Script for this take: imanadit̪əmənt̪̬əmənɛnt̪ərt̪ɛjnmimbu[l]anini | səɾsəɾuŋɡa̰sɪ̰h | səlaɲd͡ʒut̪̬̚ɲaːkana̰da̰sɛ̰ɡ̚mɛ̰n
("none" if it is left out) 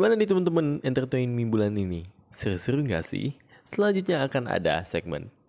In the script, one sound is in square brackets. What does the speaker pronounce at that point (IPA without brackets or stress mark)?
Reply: l